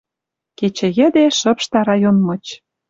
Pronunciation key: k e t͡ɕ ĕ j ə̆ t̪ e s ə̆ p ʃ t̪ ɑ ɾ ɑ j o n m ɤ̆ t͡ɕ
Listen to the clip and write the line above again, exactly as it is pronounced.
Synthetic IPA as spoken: k e t͡ɕ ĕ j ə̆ d̪ e ʃ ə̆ p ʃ t̪ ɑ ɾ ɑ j o n m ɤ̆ t͡ɕ